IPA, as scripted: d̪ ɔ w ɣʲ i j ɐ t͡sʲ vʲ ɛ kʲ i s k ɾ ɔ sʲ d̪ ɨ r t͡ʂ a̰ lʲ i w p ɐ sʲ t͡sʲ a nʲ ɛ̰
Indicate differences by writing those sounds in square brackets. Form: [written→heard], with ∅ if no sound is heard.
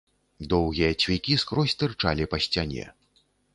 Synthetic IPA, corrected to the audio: d̪ ɔ w ɣʲ i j ɐ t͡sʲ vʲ [ɛ→i] kʲ i s k ɾ ɔ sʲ [d̪→t̪] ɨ r t͡ʂ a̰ lʲ i [w→∅] p ɐ sʲ t͡sʲ a nʲ ɛ̰